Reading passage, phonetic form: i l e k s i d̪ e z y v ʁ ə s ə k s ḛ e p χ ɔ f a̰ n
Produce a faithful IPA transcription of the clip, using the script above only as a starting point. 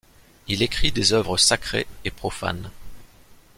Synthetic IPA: i l e k χ i d̪ e z œ v ʁ ə s a k χ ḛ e p χ ɔ f a̰ n